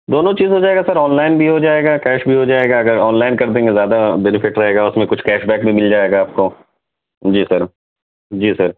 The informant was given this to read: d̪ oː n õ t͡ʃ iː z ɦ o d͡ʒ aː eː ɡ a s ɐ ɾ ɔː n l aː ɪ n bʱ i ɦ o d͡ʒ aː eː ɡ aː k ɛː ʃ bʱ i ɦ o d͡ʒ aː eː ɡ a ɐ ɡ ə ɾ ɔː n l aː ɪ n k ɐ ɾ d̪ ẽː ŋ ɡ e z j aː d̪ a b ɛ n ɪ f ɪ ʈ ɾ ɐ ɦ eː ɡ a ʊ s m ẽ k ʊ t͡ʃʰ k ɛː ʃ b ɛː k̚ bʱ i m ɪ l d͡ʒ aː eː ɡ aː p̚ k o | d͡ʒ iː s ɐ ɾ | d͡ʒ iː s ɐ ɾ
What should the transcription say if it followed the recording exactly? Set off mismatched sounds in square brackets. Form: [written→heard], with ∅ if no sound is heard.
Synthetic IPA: d̪ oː n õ t͡ʃ iː z ɦ o d͡ʒ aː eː ɡ a s ɐ ɾ ɔː n l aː ɪ n bʱ i ɦ o d͡ʒ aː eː ɡ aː k ɛː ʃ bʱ i ɦ o d͡ʒ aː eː ɡ a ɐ ɡ ə ɾ ɔː n l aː ɪ n k ɐ ɾ d̪ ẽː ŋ ɡ e z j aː d̪ a b ɛ n ɪ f ɪ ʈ ɾ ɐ ɦ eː ɡ a ʊ s m ẽ k ʊ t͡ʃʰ k ɛː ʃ b ɛː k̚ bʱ i m ɪ l d͡ʒ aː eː ɡ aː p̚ k o | d͡ʒ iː s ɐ ɾ | d͡ʒ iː s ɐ ɾ